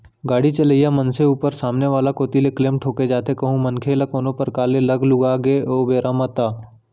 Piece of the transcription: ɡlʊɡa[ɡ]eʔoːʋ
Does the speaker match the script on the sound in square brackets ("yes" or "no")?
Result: yes